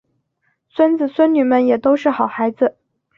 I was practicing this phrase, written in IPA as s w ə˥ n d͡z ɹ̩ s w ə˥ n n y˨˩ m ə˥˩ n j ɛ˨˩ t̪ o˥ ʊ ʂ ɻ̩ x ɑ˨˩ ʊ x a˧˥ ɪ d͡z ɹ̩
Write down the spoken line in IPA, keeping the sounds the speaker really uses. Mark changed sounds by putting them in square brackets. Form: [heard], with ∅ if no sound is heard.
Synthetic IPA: s w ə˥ n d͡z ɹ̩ s w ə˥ n n y˨˩ m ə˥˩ n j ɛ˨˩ t̪ o˥ ʊ ʂ ɻ̩ x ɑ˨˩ ʊ x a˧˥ ɪ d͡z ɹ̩